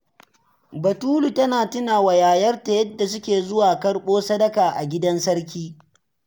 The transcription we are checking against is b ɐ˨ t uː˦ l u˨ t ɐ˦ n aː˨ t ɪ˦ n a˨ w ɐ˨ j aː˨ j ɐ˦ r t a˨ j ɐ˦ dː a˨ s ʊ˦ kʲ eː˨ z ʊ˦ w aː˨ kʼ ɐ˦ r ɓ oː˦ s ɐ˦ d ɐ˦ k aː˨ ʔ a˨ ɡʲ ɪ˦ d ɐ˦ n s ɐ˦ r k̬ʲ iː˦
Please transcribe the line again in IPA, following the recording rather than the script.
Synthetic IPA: b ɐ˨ t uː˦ l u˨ t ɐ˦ n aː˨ t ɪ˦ n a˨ w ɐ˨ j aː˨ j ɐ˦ r t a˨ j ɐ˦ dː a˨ s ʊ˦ kʲ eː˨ z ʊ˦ w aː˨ k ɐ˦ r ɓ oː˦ s ɐ˦ d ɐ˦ k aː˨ ʔ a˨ ɡʲ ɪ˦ d ɐ˦ n s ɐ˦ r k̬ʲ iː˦